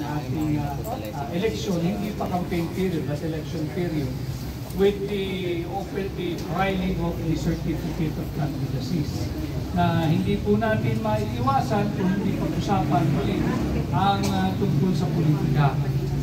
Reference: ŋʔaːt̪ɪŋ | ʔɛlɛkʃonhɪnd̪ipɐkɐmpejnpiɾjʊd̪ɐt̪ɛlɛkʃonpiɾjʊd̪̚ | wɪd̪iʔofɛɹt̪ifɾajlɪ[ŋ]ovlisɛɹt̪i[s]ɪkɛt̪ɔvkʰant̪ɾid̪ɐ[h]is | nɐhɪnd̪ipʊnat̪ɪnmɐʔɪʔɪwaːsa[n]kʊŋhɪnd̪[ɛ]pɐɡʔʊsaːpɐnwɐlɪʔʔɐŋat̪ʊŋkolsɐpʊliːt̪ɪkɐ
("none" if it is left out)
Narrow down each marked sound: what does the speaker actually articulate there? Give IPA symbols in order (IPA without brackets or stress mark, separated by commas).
ŋ, f, s, n, i